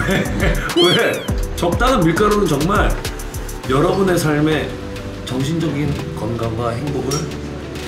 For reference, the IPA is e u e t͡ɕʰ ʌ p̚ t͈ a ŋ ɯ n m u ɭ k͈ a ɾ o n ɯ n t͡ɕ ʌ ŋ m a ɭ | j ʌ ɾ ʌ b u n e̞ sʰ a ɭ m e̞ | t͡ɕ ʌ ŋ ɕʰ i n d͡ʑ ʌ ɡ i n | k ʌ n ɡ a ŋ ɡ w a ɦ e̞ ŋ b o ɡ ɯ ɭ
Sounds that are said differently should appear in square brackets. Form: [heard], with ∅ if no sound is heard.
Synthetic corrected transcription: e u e [t͡ɕ] ʌ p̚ t͈ a ŋ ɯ n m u ɭ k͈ a ɾ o n ɯ n t͡ɕ ʌ ŋ m a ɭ | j ʌ ɾ ʌ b u n e̞ sʰ a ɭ m e̞ | t͡ɕ ʌ ŋ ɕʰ i n d͡ʑ ʌ ɡ i n | k ʌ n ɡ a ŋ ɡ w a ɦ e̞ ŋ b o ɡ ɯ ɭ